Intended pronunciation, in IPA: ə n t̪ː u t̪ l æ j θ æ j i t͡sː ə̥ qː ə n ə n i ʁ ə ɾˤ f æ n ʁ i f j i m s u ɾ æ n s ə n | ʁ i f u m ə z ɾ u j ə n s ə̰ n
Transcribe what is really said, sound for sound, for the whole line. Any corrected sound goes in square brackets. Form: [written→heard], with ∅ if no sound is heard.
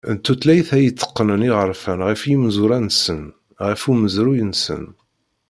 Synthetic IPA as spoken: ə n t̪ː u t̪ l æ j θ æ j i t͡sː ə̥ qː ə n ə n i ʁ ə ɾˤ f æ n ʁ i f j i m [s→z] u ɾ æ n s ə n | ʁ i f u m ə z ɾ u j ə n s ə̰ n